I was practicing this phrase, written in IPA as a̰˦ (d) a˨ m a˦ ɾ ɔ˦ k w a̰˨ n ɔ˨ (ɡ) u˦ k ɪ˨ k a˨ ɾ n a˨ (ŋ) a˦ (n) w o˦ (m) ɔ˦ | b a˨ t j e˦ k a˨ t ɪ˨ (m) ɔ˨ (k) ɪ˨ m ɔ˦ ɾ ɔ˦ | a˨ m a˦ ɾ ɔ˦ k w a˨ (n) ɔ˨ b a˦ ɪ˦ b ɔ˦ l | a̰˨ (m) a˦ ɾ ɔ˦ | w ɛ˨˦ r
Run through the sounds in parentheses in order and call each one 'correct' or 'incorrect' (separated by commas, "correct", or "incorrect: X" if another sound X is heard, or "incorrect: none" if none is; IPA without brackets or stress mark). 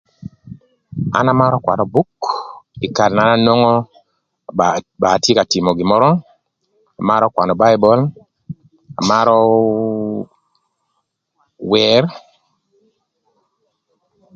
incorrect: n, incorrect: b, incorrect: n, correct, incorrect: ŋ, correct, incorrect: ɡ, correct, correct